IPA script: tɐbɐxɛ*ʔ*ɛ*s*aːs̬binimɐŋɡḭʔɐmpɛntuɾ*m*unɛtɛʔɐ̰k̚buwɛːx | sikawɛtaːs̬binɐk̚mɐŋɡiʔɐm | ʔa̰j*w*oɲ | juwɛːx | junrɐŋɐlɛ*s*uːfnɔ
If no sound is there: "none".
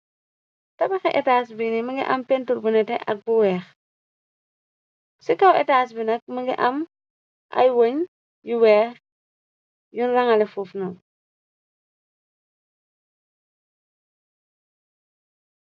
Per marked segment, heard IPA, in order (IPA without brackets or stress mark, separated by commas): ʔ, t, b, w, f